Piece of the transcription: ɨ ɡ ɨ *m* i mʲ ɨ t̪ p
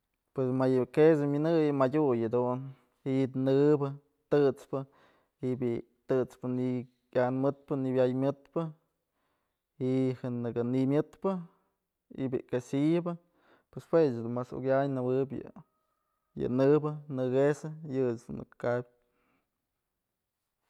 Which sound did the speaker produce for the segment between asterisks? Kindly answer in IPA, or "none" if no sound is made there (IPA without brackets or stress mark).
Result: n